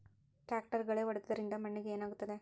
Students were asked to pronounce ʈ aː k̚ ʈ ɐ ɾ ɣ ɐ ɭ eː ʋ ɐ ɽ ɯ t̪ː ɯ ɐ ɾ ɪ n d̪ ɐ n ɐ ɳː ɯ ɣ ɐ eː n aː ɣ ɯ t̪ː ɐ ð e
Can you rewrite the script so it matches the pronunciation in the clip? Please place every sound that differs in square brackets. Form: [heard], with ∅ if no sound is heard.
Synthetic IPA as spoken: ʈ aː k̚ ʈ ɐ ɾ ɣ ɐ ɭ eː ʋ ɐ ɽ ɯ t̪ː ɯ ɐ ɾ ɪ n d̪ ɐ [m] ɐ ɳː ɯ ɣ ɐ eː n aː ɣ ɯ t̪ː ɐ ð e